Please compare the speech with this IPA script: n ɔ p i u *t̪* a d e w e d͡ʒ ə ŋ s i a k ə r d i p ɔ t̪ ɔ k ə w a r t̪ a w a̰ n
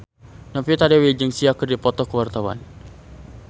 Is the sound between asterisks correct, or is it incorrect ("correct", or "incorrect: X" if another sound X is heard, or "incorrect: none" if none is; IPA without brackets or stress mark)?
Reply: correct